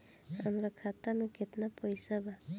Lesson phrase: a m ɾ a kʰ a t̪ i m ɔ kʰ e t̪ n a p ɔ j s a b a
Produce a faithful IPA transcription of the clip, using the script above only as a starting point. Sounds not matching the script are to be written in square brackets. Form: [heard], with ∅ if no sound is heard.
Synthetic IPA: a m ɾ a kʰ a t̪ [a] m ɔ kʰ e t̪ n a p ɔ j s a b a